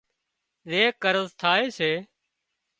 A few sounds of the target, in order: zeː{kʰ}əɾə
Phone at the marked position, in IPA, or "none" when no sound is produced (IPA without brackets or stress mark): k